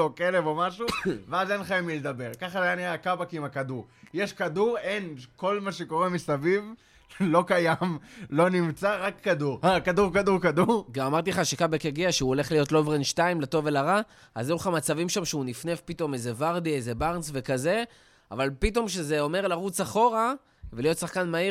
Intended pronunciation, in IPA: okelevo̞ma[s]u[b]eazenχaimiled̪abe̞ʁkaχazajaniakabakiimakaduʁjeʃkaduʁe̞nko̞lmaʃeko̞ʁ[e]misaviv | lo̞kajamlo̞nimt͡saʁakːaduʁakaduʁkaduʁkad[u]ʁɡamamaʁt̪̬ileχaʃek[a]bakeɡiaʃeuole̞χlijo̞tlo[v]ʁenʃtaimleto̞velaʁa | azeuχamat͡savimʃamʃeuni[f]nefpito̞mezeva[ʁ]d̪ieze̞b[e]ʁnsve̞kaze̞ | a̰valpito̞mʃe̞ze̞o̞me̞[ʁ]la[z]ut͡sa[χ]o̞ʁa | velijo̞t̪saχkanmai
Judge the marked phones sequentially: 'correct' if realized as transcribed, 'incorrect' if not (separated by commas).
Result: incorrect, incorrect, correct, correct, correct, correct, correct, correct, incorrect, correct, incorrect, correct